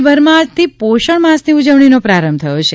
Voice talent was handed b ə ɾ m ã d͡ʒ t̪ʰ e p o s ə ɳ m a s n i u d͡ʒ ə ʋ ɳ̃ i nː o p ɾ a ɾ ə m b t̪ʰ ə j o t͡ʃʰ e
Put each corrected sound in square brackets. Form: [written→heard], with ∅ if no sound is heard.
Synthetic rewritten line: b ə ɾ m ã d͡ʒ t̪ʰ [e→i] p o [s→ʃ] ə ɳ m a s n i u d͡ʒ ə ʋ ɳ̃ i [nː→n] o p ɾ a ɾ ə m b t̪ʰ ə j o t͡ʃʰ e

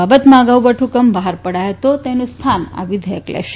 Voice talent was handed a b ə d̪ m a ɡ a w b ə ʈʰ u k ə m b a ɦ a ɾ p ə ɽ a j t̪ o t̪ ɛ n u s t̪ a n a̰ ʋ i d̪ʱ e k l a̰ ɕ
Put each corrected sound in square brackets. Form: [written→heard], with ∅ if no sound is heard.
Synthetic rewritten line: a b ə [d̪→t̪] m a ɡ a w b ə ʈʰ u k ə m b a ɦ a ɾ p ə ɽ a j t̪ o t̪ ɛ n u s [t̪→t̪ʰ] a n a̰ ʋ i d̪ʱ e k l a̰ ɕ

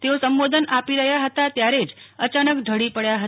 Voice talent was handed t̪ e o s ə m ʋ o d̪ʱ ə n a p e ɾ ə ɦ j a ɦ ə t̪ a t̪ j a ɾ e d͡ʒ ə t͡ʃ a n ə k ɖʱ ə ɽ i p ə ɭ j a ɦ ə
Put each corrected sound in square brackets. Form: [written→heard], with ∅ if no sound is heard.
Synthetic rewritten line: t̪ e o s ə m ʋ o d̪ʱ ə n a p [e→i] ɾ ə ɦ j a ɦ ə t̪ a t̪ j a ɾ e d͡ʒ ə t͡ʃ a n ə k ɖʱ ə ɽ i p ə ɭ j a ɦ ə

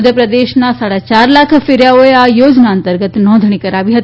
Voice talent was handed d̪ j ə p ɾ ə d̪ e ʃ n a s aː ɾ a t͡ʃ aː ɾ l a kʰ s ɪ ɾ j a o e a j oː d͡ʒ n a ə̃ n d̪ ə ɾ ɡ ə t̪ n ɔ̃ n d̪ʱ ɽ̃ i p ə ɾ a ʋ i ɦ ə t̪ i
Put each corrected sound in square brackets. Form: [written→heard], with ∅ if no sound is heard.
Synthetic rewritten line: d̪ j ə p ɾ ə d̪ e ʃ n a s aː [ɾ→ɽ] a t͡ʃ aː ɾ l a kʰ [s→f] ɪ ɾ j a o e a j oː d͡ʒ n a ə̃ n [d̪→t̪] ə ɾ ɡ ə t̪ n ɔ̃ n d̪ʱ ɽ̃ i [p→k] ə ɾ a ʋ i ɦ ə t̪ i

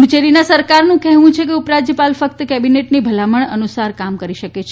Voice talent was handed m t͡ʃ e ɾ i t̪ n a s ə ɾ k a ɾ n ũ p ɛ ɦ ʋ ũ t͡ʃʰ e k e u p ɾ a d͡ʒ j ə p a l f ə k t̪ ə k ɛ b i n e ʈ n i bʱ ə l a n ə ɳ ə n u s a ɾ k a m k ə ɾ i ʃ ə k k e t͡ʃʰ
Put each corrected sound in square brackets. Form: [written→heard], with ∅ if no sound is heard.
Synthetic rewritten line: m t͡ʃ e ɾ i [t̪→∅] n a s ə ɾ k a ɾ n ũ [p→k] ɛ ɦ ʋ ũ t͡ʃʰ e k e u p ɾ a d͡ʒ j ə p a l f ə k t̪ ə k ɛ b i n e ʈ n i bʱ ə l a [n→m] ə ɳ ə n u s a ɾ k a m k ə ɾ i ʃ ə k k e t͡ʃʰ

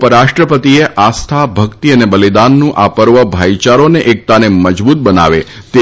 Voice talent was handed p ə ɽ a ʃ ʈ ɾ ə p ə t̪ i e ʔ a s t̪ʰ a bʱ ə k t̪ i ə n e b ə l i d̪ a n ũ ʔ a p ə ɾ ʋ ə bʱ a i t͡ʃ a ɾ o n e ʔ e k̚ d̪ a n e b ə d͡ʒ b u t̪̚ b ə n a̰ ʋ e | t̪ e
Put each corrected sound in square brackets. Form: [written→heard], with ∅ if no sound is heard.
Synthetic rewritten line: p ə [ɽ→ɾ] a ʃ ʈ ɾ ə p ə t̪ i e ʔ a s t̪ʰ a bʱ ə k t̪ i ə n e b ə l i d̪ a [n→nː] ũ ʔ a p ə ɾ ʋ ə bʱ a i t͡ʃ a ɾ o n e ʔ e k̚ [d̪→t̪] a n e [b→m] ə d͡ʒ b u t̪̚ b ə n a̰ ʋ e | t̪ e

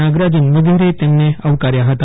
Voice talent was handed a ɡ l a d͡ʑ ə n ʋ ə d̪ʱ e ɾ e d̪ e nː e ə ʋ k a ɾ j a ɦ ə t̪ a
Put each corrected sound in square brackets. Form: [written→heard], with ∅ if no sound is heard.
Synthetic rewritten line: a ɡ [l→ɾ] a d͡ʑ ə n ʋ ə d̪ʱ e ɾ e [d̪→t̪] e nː e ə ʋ k a ɾ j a ɦ ə t̪ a

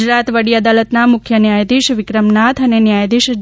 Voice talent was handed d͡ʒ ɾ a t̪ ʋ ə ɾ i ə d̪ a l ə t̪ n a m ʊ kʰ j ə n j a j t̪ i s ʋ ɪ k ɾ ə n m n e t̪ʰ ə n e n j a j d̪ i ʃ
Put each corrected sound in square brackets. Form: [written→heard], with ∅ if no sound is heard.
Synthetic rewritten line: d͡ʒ ɾ a t̪ ʋ ə [ɾ→ɽ] i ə d̪ a l ə t̪ n a m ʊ kʰ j ə n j a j [t̪→d̪] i [s→ʃ] ʋ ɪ k ɾ ə [n→∅] m n [e→a] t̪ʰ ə n e n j a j d̪ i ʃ

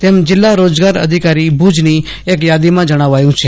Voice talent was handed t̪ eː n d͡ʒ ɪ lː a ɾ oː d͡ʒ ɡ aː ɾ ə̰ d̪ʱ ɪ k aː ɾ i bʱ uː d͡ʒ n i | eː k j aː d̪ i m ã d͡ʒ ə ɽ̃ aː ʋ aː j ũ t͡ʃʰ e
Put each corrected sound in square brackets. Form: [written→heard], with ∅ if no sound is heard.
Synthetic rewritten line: t̪ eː [n→m] d͡ʒ ɪ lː a ɾ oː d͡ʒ ɡ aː ɾ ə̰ d̪ʱ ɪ k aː ɾ i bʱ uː d͡ʒ n i | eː k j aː d̪ i m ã d͡ʒ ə ɽ̃ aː ʋ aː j ũ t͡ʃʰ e

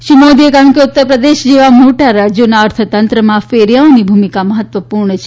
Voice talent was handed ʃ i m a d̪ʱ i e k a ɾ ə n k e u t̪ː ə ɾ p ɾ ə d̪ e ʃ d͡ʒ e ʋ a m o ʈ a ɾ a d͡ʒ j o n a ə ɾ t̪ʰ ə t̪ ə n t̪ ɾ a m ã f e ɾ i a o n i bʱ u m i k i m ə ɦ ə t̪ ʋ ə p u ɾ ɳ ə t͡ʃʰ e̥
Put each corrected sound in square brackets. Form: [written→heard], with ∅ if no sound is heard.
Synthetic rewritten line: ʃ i m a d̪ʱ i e k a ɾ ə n k e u t̪ː ə ɾ p ɾ ə d̪ e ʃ d͡ʒ e ʋ a m o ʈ a ɾ a d͡ʒ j o n a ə ɾ t̪ʰ ə t̪ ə n t̪ ɾ [a→ə] m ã f e ɾ [i→j] a o n i bʱ u m i k [i→a] m ə ɦ ə t̪ ʋ ə p u ɾ ɳ ə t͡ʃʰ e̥

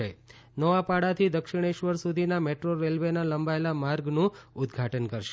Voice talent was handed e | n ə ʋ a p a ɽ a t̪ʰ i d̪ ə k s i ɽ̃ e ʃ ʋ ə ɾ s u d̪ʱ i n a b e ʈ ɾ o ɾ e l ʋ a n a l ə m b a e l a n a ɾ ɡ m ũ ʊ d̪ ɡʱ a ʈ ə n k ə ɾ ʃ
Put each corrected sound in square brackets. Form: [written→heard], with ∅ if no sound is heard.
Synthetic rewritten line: e | n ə ʋ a p a ɽ a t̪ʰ i d̪ ə k [s→ʃ] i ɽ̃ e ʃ ʋ ə ɾ s u d̪ʱ i n a [b→m] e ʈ ɾ o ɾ e l ʋ [a→e] n a l ə m b a e l a [n→m] a ɾ ɡ [m→n] ũ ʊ d̪ ɡʱ a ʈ ə n k ə ɾ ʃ

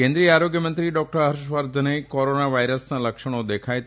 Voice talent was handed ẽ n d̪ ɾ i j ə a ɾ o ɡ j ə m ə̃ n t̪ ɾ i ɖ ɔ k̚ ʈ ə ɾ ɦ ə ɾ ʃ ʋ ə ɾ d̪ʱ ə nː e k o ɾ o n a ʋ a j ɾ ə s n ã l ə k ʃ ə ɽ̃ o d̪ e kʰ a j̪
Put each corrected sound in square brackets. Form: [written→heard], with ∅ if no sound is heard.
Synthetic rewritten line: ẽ n d̪ ɾ i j ə a ɾ o ɡ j ə m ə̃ n t̪ ɾ i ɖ ɔ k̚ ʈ ə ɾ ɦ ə ɾ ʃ ʋ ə ɾ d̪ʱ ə [nː→n] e k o ɾ o n a ʋ a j ɾ ə s n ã l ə k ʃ ə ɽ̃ o d̪ e kʰ a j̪

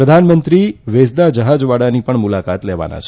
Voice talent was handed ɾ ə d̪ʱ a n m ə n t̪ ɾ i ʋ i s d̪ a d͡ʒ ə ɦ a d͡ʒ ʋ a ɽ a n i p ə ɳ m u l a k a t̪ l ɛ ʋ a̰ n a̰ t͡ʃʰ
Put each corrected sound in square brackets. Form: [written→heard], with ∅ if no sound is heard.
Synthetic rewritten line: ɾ ə d̪ʱ a n m ə n t̪ ɾ i ʋ [i→e] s d̪ a d͡ʒ ə ɦ a d͡ʒ ʋ a ɽ a n i p ə ɳ m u l a k a t̪ l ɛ ʋ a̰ n a̰ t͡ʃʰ

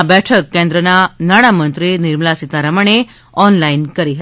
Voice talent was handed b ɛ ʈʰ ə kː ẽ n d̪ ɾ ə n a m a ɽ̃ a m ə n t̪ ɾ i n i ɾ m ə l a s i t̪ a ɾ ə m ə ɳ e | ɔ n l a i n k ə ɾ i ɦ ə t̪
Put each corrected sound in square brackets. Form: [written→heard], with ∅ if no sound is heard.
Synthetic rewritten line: b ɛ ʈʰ ə kː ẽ n d̪ ɾ ə n a [m→n] a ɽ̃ a m ə n t̪ ɾ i n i ɾ m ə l a s i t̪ a ɾ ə m ə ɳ e | ɔ n l a i n k ə ɾ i ɦ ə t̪

